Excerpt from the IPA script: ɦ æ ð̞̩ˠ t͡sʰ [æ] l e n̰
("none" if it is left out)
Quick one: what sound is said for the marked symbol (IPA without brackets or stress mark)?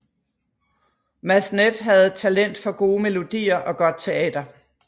æ